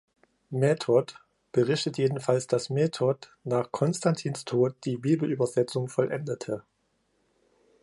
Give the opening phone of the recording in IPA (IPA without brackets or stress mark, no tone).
m